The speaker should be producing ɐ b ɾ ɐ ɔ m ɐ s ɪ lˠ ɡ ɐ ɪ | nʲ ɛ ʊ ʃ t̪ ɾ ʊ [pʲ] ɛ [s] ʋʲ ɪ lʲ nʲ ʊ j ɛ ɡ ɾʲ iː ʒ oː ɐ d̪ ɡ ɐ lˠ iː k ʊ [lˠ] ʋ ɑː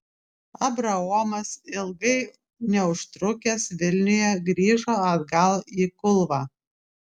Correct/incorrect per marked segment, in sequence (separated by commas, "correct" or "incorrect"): incorrect, correct, correct